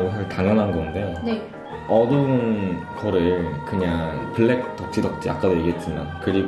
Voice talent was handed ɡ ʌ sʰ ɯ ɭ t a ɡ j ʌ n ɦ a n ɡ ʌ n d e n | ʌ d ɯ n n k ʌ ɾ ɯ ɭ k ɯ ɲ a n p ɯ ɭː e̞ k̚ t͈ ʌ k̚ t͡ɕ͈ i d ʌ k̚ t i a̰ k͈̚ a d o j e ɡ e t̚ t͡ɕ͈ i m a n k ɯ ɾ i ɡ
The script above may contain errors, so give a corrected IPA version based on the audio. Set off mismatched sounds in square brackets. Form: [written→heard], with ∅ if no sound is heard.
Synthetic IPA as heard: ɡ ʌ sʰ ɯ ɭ t a [ɡ→ŋ] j ʌ n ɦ a n ɡ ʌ n d e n | ʌ d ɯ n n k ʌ ɾ ɯ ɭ k ɯ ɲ a [n→ŋ] p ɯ ɭː e̞ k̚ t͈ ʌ k̚ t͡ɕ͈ i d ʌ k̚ [t→t͡ɕ͈] i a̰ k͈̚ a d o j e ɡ e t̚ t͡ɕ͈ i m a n k ɯ ɾ i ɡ